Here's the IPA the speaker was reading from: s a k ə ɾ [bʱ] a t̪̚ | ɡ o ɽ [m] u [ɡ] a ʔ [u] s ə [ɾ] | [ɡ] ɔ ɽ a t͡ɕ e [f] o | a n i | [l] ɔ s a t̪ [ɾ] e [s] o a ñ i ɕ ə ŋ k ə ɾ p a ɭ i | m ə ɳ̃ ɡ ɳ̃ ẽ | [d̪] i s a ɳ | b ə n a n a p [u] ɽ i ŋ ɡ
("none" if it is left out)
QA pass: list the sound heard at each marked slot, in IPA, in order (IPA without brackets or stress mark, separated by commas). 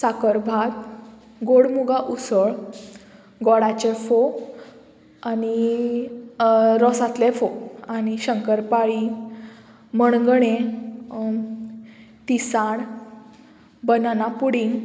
bʱ, m, ɡ, u, ɭ, ɡ, f, ɾ, l, f, t̪, u